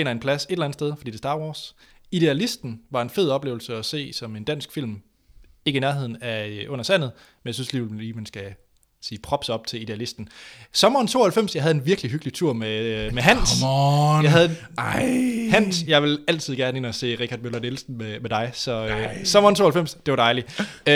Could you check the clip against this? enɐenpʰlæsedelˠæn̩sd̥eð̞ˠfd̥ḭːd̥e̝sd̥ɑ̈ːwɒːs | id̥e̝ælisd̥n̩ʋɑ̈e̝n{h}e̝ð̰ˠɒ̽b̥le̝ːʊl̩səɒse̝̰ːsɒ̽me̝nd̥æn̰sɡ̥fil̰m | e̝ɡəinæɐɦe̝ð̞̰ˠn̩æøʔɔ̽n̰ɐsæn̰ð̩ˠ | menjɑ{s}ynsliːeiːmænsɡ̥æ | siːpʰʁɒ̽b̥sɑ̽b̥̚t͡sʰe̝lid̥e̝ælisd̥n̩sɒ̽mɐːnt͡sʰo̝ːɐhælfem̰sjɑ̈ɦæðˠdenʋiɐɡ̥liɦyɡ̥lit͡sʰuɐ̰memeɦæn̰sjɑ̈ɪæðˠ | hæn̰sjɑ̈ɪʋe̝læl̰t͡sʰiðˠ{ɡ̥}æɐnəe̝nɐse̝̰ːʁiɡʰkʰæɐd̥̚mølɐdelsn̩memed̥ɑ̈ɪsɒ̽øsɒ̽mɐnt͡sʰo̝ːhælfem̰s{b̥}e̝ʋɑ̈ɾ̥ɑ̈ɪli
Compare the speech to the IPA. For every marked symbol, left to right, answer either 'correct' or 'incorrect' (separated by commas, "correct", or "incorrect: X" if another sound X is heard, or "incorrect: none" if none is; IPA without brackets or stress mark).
incorrect: f, correct, correct, incorrect: d̥